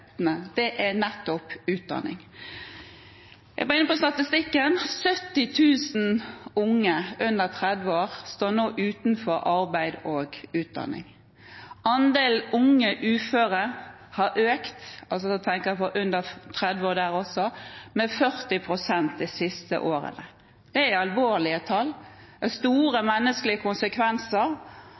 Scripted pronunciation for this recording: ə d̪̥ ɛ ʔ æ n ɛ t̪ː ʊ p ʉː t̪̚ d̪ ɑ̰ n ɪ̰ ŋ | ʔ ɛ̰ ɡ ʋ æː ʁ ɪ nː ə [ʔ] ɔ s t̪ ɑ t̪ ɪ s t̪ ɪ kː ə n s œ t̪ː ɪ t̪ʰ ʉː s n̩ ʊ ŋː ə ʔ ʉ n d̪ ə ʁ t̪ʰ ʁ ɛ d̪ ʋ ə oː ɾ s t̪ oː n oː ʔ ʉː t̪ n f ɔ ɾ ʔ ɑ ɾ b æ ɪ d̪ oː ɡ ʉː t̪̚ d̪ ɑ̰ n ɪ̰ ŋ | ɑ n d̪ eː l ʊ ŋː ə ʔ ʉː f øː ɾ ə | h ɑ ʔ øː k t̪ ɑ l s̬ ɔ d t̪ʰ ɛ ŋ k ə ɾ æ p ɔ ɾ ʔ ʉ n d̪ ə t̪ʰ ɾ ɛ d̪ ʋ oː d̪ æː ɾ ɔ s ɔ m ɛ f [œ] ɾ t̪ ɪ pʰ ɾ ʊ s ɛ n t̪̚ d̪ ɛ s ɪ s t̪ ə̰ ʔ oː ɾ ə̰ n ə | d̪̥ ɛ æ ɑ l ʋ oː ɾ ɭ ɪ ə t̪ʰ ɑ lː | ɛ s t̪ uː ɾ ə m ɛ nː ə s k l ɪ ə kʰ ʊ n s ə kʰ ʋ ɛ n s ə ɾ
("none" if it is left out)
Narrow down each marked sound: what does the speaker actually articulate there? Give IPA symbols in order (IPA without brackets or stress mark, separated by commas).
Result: p, œ